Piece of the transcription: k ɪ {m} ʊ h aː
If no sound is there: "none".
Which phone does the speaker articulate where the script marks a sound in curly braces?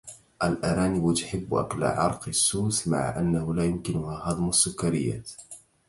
n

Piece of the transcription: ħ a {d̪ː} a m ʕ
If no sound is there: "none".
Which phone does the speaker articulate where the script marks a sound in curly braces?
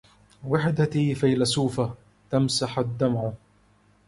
d̪ː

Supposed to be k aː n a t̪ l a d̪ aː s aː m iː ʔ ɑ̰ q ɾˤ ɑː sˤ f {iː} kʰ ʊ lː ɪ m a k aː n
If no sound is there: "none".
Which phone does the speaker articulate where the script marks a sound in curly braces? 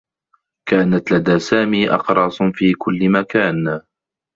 iː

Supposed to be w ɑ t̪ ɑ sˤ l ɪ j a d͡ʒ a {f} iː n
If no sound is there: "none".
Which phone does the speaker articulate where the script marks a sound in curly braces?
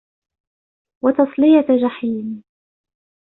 ħ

